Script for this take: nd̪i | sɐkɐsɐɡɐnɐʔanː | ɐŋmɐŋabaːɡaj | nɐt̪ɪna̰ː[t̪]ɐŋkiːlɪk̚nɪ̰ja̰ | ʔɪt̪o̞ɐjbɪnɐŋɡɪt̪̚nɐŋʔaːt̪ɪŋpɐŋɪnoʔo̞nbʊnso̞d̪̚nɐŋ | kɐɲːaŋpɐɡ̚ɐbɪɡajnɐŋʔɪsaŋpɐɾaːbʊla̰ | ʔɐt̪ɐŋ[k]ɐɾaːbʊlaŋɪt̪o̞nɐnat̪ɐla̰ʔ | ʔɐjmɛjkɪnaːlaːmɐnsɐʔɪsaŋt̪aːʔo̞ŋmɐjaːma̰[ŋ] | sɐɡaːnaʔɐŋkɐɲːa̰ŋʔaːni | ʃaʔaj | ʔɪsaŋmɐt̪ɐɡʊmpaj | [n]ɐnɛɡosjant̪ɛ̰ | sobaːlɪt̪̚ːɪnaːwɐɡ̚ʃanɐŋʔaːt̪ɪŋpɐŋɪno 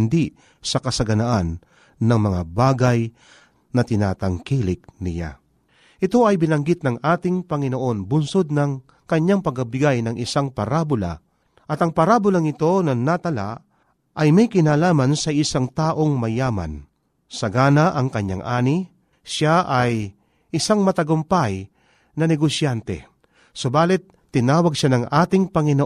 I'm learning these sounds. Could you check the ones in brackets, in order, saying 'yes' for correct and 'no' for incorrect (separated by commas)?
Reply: yes, no, no, yes